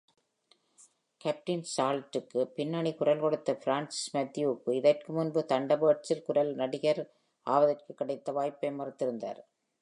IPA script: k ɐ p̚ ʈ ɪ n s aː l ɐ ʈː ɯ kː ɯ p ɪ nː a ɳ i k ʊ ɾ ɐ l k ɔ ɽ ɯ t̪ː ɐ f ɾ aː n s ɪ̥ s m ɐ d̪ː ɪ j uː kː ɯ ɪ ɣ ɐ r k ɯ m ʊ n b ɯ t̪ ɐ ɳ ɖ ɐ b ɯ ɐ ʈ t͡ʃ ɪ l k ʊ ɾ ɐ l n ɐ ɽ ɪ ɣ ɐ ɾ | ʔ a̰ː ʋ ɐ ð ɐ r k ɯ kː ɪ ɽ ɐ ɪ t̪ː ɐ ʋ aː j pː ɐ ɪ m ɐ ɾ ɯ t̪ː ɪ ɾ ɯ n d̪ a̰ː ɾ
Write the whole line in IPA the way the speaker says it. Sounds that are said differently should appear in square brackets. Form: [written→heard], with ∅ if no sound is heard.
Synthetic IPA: k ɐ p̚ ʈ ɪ n s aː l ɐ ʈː ɯ kː ɯ p ɪ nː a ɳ i k ʊ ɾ ɐ l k ɔ ɽ ɯ t̪ː ɐ f ɾ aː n s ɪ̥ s m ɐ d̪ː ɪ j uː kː ɯ ɪ [ɣ→ð] ɐ r k ɯ m ʊ n b ɯ t̪ ɐ ɳ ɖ ɐ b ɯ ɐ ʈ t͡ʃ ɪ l k ʊ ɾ ɐ l n ɐ ɽ ɪ ɣ ɐ ɾ | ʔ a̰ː ʋ ɐ ð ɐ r k ɯ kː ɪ ɽ ɐ ɪ t̪ː ɐ ʋ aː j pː ɐ ɪ m ɐ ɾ ɯ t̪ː ɪ ɾ ɯ n d̪ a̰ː ɾ

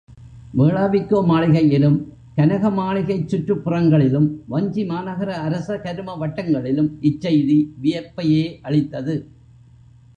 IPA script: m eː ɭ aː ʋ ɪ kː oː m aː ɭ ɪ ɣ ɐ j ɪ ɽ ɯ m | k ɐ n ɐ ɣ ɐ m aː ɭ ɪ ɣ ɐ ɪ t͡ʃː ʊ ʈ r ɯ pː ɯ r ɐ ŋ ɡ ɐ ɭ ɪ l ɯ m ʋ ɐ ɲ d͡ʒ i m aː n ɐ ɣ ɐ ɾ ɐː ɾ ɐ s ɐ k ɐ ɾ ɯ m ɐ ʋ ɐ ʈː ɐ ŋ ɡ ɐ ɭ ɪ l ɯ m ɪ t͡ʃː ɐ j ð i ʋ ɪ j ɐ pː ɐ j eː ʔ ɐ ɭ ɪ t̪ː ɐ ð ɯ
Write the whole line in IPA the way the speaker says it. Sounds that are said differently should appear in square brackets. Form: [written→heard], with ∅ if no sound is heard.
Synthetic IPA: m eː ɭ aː ʋ ɪ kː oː m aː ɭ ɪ ɣ ɐ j ɪ [ɽ→l] ɯ m | k ɐ n ɐ ɣ ɐ m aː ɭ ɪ ɣ ɐ ɪ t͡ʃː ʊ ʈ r ɯ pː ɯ r ɐ ŋ ɡ ɐ ɭ ɪ l ɯ m ʋ ɐ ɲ d͡ʒ i m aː n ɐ ɣ ɐ ɾ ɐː ɾ ɐ s ɐ k ɐ ɾ ɯ m ɐ ʋ ɐ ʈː ɐ ŋ ɡ ɐ ɭ ɪ l ɯ m ɪ t͡ʃː ɐ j ð i ʋ ɪ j ɐ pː ɐ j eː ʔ ɐ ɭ ɪ t̪ː ɐ ð ɯ

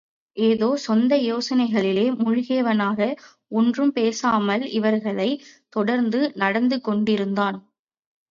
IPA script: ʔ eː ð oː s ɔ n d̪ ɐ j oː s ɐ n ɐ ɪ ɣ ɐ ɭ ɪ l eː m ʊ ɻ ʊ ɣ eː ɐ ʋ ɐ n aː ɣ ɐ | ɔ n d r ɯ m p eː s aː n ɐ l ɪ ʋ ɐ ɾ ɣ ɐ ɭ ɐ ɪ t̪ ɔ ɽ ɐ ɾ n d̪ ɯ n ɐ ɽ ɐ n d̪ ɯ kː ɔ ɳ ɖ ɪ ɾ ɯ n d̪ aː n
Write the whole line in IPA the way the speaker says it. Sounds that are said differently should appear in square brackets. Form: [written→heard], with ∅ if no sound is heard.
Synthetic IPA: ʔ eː ð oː s ɔ n d̪ ɐ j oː s ɐ n ɐ ɪ ɣ ɐ ɭ ɪ l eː m ʊ ɻ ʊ ɣ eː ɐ ʋ ɐ n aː ɣ ɐ | ɔ n d r ɯ m p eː s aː [n→m] ɐ l ɪ ʋ ɐ ɾ ɣ ɐ ɭ ɐ ɪ t̪ ɔ ɽ ɐ ɾ n d̪ ɯ n ɐ ɽ ɐ n d̪ ɯ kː ɔ ɳ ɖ ɪ ɾ ɯ n d̪ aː n

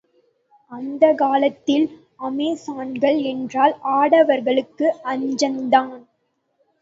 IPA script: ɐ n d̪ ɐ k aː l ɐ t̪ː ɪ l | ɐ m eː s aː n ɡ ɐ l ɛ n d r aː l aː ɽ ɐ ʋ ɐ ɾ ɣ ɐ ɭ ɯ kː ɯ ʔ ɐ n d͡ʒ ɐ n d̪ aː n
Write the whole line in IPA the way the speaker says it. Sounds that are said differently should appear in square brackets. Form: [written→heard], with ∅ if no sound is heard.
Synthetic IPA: ɐ n d̪ ɐ k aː l ɐ t̪ː ɪ l | ɐ m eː s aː n ɡ ɐ [l→ɭ] ɛ n d r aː l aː ɽ ɐ ʋ ɐ ɾ ɣ ɐ ɭ ɯ kː ɯ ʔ ɐ [n→ɲ] d͡ʒ ɐ n d̪ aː n

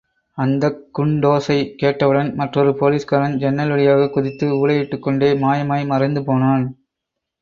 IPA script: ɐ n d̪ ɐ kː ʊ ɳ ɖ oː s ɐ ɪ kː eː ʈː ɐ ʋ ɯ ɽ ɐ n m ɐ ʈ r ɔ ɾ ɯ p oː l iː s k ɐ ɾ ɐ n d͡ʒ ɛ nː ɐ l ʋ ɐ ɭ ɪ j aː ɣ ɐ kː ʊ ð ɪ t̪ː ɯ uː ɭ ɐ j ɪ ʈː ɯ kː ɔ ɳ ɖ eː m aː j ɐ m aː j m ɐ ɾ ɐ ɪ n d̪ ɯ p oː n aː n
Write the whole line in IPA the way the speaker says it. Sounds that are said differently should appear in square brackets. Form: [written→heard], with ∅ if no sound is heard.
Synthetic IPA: ɐ n d̪ ɐ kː ʊ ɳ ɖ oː s ɐ ɪ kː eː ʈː ɐ ʋ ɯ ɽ ɐ n m ɐ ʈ r ɔ ɾ ɯ p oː l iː s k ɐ ɾ ɐ n d͡ʒ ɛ nː ɐ l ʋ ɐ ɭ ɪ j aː ɣ ɐ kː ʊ ð ɪ t̪ː ɯ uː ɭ ɐ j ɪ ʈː ɯ kː ɔ ɳ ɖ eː m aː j ɐ m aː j m ɐ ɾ ɐ ɪ n d̪ ɯ p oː n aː n

